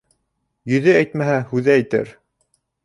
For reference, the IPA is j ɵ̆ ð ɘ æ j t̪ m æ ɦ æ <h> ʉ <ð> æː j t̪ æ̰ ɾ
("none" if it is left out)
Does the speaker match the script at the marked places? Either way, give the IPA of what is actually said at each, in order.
h, ð

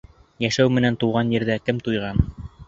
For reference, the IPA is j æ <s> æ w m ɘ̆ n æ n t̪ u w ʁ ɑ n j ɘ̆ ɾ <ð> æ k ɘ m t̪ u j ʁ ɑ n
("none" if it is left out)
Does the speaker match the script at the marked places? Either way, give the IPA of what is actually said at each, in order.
ʃ, ð

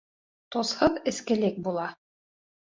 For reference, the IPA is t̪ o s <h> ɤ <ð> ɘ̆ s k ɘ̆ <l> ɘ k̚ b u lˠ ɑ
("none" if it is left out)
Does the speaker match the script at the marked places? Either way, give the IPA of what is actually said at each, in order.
h, ð, l

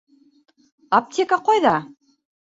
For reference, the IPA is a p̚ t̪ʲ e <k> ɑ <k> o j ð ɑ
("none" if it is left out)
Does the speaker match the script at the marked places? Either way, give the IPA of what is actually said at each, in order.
k, q

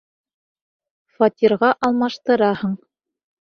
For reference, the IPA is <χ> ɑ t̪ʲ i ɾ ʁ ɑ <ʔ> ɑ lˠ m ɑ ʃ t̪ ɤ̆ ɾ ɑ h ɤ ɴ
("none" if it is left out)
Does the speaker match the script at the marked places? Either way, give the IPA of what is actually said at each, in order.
f, ʔ

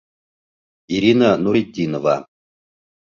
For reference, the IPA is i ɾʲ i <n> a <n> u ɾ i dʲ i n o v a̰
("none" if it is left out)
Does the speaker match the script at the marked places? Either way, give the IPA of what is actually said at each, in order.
n, n

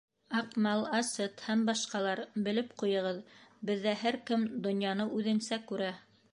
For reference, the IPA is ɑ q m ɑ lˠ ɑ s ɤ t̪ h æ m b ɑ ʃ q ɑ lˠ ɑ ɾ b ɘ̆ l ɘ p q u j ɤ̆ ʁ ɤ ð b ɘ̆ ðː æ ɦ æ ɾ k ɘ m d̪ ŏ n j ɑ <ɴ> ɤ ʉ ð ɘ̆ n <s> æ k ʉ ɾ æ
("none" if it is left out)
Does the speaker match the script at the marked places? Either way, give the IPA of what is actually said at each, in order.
n, s

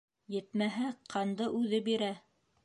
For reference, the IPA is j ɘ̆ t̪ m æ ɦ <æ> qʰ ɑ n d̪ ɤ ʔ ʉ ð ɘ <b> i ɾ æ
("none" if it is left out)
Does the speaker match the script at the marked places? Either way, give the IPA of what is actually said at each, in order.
æ, b

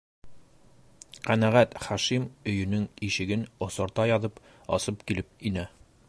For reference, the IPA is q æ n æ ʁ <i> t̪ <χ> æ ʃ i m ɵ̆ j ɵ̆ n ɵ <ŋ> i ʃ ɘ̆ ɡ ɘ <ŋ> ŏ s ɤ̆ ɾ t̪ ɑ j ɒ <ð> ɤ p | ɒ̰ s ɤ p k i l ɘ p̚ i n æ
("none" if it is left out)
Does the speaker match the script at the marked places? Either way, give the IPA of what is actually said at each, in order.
æ, χ, ŋ, n, ð

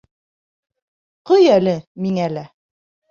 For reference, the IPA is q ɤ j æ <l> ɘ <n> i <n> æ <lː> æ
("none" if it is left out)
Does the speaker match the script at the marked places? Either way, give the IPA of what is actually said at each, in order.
l, m, ŋ, l

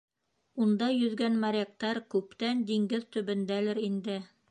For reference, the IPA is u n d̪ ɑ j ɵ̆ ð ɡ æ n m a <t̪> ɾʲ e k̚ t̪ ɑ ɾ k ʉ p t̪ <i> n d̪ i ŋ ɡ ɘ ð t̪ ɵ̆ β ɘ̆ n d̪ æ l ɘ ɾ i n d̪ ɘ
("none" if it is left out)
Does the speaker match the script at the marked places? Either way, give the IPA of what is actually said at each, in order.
none, æ

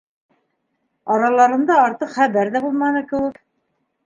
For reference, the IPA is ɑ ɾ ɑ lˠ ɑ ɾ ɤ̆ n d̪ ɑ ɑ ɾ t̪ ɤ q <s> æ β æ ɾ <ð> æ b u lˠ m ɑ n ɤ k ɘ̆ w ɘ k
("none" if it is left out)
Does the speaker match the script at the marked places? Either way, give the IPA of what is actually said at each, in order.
χ, ð

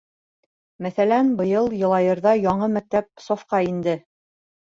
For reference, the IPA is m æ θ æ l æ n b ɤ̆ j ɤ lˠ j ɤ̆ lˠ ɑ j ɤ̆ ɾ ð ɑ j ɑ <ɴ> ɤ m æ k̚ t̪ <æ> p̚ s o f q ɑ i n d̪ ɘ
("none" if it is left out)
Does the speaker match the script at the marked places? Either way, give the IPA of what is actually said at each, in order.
ɴ, æ

